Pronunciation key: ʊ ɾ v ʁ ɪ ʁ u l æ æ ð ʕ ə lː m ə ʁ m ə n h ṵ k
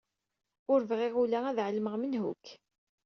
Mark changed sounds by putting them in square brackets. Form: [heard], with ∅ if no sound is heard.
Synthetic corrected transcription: ʊ ɾ v ʁ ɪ ʁ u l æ æ ð ʕ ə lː m ə ʁ m ə n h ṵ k